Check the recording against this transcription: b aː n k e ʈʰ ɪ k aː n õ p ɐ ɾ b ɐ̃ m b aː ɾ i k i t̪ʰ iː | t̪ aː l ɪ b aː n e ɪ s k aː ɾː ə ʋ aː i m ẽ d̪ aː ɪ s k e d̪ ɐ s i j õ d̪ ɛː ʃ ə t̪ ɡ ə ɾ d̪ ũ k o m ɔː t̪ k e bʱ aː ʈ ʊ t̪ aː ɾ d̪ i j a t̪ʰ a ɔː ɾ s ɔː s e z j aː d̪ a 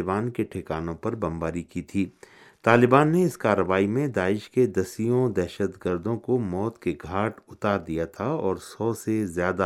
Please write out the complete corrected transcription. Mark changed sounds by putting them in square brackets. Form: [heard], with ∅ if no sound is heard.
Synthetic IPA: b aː n k e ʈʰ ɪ k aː n õ p ɐ ɾ b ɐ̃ m b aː ɾ i k i t̪ʰ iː | t̪ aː l ɪ b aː [nː] e ɪ s k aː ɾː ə ʋ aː i m ẽ d̪ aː ɪ [ʃ] k e d̪ ɐ s i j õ d̪ ɛː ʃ ə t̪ ɡ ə ɾ d̪ [õ] k o m ɔː t̪ k e [ɡʱ] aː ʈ ʊ t̪ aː ɾ d̪ i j a t̪ʰ a ɔː ɾ s ɔː s e z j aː d̪ a